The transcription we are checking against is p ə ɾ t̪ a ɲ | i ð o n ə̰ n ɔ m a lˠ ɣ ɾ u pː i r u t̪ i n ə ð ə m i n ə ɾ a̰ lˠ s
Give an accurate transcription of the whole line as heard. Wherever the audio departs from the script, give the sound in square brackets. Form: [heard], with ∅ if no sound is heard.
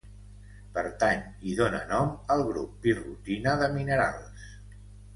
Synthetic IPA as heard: p ə ɾ t̪ a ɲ | i ð o n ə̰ n ɔ m [ə] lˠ ɣ ɾ u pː i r u t̪ i n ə ð ə m i n ə ɾ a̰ lˠ s